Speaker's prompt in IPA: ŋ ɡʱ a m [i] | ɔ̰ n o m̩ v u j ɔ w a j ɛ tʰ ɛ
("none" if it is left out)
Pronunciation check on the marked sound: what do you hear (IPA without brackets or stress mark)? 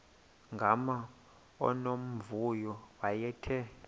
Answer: a